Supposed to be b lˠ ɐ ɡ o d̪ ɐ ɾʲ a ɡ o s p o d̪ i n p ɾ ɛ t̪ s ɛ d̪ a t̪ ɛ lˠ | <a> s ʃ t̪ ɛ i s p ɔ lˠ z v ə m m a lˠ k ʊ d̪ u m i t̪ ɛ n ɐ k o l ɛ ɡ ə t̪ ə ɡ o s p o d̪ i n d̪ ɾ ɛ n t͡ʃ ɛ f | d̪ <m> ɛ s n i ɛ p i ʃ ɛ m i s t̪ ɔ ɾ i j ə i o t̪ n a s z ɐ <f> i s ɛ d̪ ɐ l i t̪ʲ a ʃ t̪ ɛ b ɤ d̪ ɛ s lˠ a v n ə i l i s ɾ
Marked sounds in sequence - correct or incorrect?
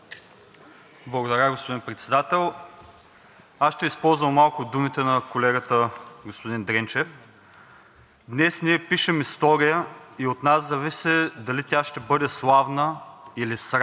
correct, incorrect, incorrect

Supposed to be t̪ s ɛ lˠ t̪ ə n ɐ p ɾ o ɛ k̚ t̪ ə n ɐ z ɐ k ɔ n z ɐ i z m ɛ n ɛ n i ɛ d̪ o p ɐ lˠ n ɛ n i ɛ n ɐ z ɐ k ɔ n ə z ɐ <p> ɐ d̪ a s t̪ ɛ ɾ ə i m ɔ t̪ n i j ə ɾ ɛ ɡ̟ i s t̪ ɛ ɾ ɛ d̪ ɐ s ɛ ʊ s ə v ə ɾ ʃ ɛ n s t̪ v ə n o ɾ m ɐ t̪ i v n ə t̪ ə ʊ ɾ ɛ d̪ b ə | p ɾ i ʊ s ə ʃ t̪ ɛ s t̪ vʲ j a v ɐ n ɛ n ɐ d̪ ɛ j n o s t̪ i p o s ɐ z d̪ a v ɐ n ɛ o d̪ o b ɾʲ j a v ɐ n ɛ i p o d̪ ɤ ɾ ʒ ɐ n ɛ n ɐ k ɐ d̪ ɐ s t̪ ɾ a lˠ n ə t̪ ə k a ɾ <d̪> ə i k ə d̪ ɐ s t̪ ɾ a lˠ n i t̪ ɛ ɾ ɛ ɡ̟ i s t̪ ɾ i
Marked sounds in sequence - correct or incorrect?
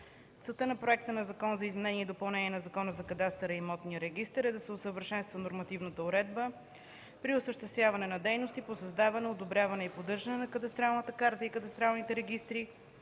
incorrect, incorrect

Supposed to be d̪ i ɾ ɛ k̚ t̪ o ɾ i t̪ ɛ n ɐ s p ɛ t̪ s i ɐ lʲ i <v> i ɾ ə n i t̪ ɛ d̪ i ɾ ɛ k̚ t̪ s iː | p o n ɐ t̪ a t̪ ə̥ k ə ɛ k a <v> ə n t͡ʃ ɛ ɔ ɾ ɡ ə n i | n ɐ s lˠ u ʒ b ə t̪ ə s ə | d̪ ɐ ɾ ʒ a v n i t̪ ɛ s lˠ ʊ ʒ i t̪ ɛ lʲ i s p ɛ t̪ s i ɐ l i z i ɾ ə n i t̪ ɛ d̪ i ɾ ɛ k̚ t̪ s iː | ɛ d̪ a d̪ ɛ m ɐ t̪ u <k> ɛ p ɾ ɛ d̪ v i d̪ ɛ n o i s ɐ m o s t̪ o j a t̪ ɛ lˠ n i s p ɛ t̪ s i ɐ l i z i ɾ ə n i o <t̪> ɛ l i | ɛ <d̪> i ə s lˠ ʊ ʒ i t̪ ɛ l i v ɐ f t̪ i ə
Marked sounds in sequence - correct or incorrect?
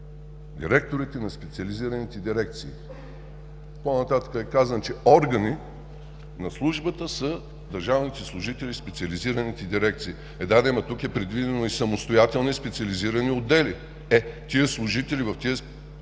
incorrect, incorrect, correct, incorrect, incorrect

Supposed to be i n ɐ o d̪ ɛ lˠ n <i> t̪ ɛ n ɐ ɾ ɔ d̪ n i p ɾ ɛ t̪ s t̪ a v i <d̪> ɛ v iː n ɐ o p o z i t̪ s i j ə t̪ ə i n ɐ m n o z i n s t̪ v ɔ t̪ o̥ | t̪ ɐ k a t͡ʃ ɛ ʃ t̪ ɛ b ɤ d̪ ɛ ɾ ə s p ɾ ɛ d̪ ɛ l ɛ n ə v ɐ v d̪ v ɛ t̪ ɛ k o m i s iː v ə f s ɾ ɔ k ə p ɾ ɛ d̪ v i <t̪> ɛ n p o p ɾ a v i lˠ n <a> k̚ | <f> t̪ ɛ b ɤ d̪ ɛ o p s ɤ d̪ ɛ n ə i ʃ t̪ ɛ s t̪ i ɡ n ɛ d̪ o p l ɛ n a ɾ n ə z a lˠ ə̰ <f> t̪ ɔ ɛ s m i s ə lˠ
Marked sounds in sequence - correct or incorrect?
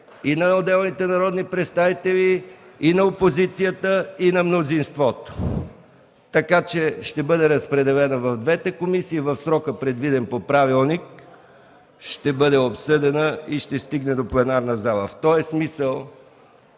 correct, incorrect, incorrect, incorrect, incorrect, correct

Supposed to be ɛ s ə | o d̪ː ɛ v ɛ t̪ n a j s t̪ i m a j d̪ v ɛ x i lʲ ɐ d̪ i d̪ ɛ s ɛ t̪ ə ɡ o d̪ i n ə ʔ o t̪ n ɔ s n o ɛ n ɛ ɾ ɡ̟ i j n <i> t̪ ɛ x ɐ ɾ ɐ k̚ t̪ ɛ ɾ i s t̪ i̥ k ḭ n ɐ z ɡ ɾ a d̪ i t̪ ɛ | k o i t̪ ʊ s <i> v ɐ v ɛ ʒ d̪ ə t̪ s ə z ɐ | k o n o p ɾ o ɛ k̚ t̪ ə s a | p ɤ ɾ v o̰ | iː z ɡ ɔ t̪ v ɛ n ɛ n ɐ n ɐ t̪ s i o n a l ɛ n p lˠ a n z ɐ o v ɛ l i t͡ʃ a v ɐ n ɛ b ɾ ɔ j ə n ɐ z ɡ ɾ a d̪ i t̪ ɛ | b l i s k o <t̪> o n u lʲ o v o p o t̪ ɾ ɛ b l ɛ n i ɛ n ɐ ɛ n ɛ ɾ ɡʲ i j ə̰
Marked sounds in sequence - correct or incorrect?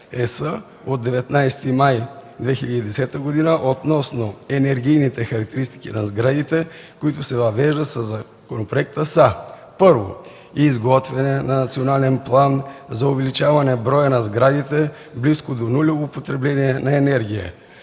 correct, incorrect, incorrect

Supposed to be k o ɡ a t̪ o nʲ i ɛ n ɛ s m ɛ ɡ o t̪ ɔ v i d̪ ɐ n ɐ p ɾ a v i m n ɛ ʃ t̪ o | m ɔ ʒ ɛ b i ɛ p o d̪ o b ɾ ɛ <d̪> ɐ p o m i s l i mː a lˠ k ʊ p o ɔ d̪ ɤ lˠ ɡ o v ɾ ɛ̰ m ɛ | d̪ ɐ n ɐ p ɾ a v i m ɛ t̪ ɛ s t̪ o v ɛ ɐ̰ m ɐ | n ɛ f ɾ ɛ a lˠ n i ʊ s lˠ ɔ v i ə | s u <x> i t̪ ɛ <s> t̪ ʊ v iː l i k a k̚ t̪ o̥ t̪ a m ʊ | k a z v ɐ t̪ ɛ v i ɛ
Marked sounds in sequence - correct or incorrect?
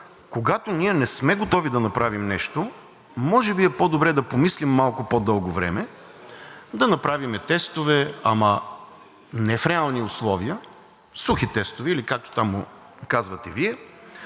correct, correct, correct

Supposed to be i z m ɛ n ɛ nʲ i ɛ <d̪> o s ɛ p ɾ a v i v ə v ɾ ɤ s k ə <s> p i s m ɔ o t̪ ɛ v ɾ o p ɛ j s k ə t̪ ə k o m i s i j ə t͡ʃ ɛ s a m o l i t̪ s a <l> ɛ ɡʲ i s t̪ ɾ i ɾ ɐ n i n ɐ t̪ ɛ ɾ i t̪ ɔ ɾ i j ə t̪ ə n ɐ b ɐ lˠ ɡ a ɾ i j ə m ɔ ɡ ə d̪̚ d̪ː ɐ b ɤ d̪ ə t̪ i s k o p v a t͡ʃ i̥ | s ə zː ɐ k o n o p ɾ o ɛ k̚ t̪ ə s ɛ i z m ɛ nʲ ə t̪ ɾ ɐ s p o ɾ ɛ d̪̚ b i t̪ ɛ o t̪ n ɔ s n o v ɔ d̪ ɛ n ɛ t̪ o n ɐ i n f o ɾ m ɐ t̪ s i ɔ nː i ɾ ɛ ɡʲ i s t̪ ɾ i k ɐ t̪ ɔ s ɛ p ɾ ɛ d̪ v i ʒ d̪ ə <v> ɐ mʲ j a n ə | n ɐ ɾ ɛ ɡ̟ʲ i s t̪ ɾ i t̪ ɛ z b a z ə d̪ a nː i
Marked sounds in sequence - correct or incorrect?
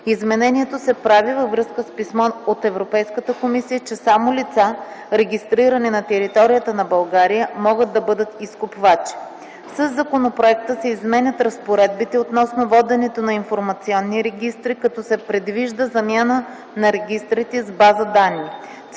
incorrect, correct, incorrect, incorrect

